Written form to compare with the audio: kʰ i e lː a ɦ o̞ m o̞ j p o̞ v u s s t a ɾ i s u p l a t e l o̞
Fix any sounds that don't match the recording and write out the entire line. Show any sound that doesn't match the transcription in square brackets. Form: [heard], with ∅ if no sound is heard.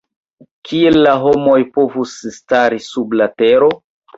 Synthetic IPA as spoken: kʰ i e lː a ɦ o̞ m o̞ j p o̞ v u s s t a ɾ i s u [b] l a t e [ɾ] o̞

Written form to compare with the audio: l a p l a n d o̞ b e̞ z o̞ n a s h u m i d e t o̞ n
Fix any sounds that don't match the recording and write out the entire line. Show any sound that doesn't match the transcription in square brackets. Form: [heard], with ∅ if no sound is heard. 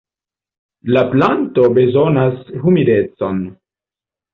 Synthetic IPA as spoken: l a p l a n [t] o̞ b e̞ z o̞ n a s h u m i d e [t͡s] o̞ n

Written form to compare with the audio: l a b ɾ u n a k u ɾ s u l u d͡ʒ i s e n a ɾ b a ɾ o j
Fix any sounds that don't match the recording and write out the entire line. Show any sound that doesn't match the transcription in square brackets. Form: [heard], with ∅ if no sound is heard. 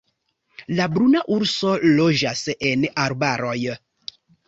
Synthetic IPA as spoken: l a b ɾ u n a [ʔ] u ɾ s [o] l [o] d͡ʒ [a] s e n a ɾ b a ɾ o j

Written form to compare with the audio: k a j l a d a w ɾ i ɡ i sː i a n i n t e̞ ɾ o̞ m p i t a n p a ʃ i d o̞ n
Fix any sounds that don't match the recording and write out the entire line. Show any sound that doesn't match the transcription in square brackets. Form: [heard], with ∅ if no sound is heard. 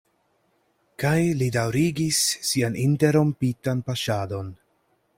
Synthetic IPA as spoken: k a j l [i] d a w ɾ i ɡ i sː i a n i n t e̞ ɾ o̞ m p i t a n p a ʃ [a] d o̞ n

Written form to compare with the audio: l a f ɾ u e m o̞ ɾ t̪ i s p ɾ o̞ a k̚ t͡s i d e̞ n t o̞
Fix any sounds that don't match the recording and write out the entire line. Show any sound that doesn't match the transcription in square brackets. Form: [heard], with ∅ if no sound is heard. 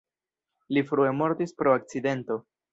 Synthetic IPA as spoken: l [i] f ɾ u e m o̞ ɾ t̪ i s p ɾ o̞ a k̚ t͡s i d e̞ n t o̞

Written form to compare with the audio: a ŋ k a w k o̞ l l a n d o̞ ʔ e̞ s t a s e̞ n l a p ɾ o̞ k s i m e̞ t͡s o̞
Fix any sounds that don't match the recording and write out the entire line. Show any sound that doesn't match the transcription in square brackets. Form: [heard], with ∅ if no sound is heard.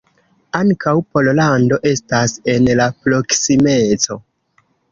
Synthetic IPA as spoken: a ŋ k a w [p] o̞ l l a n d o̞ ʔ e̞ s t a s e̞ n l a p ɾ o̞ k s i m e̞ t͡s o̞

